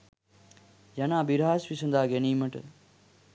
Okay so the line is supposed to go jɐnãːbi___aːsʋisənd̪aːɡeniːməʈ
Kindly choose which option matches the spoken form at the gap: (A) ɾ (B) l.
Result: A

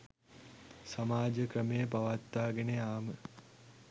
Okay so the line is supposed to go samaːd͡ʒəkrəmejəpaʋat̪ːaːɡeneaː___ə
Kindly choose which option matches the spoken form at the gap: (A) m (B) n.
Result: A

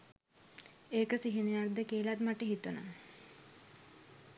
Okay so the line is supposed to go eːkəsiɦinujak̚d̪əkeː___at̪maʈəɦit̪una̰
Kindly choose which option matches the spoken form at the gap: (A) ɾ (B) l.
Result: B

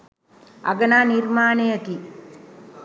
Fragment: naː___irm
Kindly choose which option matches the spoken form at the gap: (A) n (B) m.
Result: A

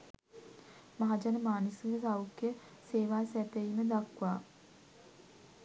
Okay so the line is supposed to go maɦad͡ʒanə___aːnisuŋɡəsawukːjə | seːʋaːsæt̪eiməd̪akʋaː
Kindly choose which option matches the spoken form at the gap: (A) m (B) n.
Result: A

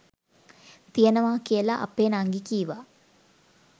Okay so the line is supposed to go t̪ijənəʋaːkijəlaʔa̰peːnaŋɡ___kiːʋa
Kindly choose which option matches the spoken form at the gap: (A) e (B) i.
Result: B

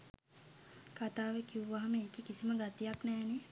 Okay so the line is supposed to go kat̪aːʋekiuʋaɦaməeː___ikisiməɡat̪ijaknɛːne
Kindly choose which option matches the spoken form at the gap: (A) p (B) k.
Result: B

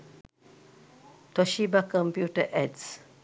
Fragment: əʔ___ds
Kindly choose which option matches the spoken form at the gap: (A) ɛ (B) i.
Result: A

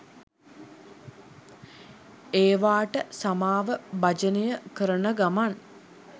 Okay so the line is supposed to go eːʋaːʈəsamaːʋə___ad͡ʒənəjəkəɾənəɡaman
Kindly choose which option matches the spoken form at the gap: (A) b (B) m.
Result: A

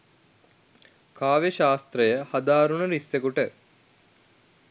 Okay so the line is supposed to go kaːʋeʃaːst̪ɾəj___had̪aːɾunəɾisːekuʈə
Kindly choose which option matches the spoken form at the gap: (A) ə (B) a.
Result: A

